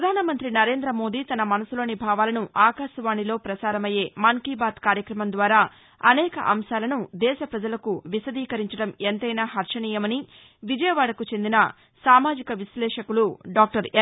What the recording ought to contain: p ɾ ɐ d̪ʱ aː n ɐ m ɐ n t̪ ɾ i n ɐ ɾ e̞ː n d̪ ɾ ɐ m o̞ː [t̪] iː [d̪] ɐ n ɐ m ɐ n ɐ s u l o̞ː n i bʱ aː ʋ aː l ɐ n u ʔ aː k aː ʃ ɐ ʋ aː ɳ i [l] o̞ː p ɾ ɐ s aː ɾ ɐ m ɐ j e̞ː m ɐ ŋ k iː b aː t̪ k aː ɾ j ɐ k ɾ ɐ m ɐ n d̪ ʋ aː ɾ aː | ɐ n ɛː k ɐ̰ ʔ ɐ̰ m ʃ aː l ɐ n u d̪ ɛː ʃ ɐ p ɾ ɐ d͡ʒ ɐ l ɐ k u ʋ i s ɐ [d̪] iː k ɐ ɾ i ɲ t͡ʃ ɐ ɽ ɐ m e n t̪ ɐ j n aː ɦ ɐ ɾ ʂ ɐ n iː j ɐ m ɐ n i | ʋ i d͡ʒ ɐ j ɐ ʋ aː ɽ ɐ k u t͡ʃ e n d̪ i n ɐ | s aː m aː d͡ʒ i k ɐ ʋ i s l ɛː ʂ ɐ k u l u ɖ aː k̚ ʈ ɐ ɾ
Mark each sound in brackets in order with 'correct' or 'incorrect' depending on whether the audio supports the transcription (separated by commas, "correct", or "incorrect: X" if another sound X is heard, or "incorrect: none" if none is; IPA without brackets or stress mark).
incorrect: d̪, incorrect: t̪, correct, correct